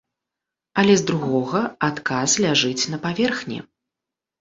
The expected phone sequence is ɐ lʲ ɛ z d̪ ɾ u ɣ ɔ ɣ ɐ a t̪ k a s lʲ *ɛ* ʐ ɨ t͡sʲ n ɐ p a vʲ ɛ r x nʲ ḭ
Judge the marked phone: incorrect: a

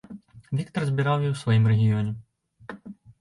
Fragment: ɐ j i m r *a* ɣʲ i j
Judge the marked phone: incorrect: ɛ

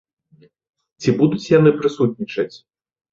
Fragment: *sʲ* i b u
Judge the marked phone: incorrect: t͡sʲ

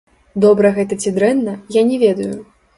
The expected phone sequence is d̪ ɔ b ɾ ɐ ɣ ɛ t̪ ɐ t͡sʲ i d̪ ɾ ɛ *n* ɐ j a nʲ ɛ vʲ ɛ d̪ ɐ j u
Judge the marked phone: incorrect: nː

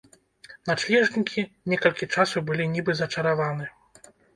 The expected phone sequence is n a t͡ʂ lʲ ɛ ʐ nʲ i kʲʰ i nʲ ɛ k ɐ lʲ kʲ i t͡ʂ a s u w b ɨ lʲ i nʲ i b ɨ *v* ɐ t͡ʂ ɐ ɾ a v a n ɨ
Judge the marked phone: incorrect: z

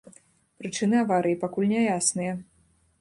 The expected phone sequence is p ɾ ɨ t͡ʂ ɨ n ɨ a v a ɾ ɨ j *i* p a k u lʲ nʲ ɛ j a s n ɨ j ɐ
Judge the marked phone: correct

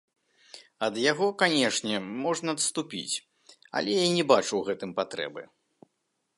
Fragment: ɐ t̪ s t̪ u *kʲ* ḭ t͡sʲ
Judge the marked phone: incorrect: pʲ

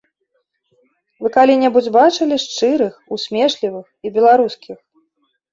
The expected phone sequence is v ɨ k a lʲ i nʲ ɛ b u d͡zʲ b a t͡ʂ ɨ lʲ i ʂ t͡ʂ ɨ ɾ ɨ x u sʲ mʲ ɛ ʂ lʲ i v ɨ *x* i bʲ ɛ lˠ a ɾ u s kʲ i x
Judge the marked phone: correct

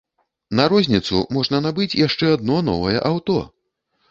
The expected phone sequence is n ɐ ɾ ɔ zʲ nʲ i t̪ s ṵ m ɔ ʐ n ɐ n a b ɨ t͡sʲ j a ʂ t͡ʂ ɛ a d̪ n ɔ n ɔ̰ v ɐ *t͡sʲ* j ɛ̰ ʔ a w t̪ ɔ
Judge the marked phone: incorrect: none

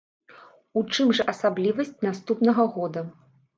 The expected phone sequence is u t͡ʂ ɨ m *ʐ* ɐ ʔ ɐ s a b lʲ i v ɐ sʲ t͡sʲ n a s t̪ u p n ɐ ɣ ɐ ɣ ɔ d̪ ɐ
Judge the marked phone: correct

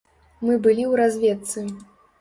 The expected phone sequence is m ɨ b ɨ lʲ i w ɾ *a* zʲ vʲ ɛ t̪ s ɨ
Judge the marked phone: correct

